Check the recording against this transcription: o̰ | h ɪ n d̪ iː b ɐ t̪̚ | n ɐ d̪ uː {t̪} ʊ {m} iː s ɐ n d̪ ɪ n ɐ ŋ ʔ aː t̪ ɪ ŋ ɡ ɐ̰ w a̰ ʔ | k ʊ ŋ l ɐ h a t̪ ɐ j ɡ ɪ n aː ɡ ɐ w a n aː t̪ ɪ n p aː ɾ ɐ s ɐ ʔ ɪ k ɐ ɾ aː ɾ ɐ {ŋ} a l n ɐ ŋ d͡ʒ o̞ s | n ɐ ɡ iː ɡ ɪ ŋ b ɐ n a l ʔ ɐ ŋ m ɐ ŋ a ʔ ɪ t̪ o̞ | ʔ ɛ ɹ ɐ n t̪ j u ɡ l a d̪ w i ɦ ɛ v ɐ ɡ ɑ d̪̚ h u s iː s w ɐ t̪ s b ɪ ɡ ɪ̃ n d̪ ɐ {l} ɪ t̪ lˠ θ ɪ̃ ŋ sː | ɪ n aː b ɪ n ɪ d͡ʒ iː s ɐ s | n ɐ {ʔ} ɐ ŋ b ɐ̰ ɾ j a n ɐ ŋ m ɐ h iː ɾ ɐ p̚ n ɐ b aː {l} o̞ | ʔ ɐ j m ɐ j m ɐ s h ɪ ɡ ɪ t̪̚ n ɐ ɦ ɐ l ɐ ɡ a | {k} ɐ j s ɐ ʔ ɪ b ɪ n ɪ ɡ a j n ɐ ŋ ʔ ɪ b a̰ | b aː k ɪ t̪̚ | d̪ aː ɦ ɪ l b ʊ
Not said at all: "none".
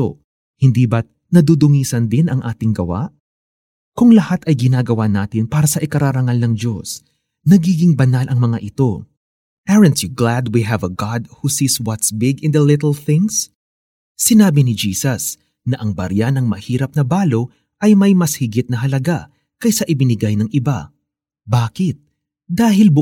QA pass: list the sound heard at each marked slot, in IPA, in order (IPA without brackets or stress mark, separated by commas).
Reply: d̪, ŋ, ŋ, l, ʔ, l, k